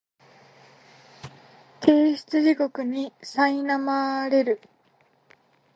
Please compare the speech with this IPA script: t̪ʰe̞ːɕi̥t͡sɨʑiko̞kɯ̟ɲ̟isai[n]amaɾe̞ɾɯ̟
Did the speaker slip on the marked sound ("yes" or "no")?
no